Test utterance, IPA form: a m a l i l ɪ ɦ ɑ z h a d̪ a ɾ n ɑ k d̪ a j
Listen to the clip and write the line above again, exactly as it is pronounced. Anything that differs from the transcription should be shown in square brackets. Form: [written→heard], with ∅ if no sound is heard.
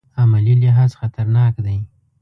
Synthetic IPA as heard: a m a l i l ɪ ɦ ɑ z [h→x] a [d̪→t̪] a ɾ n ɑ k d̪ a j